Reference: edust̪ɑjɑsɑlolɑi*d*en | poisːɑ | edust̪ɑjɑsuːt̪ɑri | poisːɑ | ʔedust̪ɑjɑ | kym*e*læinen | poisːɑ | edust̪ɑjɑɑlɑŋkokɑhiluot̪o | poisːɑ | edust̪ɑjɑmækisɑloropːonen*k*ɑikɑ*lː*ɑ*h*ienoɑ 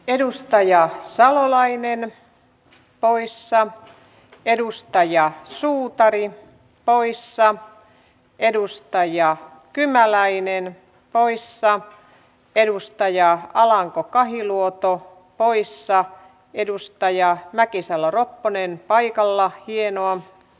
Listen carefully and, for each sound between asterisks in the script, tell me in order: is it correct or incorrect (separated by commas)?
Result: incorrect, incorrect, incorrect, correct, correct